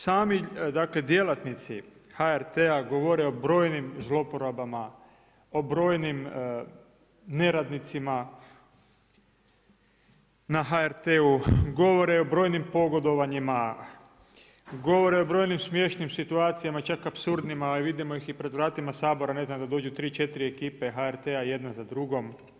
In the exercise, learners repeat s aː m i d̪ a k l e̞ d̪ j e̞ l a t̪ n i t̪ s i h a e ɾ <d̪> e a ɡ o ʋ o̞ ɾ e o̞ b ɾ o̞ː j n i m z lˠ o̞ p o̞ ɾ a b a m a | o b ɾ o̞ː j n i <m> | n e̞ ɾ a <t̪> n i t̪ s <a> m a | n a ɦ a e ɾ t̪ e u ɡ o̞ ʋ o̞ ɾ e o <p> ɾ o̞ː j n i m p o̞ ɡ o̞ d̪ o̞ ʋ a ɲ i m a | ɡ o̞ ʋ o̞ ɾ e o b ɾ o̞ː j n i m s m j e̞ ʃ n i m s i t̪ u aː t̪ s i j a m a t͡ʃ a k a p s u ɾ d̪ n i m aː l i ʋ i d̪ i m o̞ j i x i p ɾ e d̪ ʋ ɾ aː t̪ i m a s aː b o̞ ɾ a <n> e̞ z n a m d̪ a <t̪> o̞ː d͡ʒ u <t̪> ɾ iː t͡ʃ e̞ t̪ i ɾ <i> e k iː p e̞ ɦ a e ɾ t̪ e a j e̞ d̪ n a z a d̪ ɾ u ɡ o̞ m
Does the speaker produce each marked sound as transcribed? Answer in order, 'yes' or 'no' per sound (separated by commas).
no, yes, no, no, no, yes, no, yes, yes